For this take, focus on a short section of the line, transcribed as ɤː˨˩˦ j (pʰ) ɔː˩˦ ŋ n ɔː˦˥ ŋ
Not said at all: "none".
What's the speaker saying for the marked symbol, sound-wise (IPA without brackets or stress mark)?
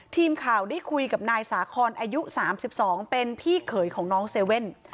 kʰ